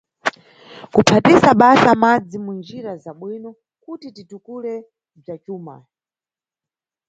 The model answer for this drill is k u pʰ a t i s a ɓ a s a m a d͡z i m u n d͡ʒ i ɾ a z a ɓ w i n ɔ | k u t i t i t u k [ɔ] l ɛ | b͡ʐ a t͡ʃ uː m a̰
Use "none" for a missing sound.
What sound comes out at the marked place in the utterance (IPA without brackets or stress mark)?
u